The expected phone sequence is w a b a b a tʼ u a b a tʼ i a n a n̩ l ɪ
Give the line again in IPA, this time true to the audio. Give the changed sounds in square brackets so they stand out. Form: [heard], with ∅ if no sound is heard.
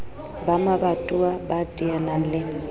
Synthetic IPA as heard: [b] a [m] a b a tʼ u a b a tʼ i a n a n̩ l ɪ